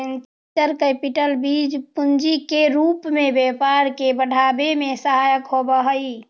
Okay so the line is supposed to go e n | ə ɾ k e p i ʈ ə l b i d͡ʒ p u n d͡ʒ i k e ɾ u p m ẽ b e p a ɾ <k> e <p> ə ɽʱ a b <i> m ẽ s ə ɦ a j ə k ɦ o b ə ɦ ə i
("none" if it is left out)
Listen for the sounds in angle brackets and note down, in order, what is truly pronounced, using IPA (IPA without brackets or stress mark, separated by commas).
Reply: k, b, e